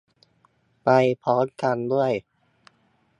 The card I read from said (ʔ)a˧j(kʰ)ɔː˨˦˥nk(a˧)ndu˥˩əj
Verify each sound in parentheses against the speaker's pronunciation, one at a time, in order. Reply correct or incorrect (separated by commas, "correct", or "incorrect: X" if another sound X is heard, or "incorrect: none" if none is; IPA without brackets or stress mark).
incorrect: p, incorrect: pʰ, correct